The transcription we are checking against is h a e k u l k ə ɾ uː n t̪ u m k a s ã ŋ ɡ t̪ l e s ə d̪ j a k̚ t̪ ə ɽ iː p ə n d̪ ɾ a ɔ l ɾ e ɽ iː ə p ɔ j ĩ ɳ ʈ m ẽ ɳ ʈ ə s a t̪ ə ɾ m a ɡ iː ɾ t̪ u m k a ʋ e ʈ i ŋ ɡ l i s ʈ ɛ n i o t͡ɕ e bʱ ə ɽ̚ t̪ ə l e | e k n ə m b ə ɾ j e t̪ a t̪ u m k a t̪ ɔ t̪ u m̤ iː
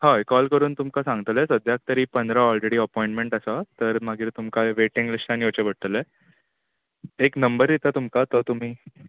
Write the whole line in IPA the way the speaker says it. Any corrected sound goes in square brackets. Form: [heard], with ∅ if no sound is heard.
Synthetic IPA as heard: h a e k [ɔ] l k ə ɾ uː n t̪ u m k a s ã ŋ ɡ t̪ l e s ə d̪ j a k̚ t̪ ə [ɾ] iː p ə n d̪ ɾ a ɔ l ɾ e ɽ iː ə p ɔ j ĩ ɳ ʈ m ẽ ɳ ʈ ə s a t̪ ə ɾ m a ɡ iː ɾ t̪ u m k a ʋ e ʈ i ŋ ɡ l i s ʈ [a] n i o t͡ɕ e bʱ ə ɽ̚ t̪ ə l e | e k n ə m b ə ɾ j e t̪ a t̪ u m k a t̪ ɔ t̪ u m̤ iː